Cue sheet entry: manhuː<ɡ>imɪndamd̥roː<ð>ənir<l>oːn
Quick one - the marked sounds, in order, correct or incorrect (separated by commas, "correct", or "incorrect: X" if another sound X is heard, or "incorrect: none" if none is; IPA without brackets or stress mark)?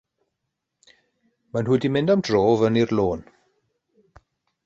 incorrect: d, incorrect: v, correct